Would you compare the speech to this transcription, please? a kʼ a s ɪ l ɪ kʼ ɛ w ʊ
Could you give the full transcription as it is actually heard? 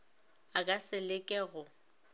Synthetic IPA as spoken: a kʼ a s ɪ l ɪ kʼ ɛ ɣ ʊ

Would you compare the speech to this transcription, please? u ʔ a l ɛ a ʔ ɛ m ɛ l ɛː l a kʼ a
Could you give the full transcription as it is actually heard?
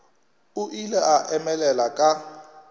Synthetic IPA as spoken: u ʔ i l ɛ a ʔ ɛ m ɛ l ɛ l a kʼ a

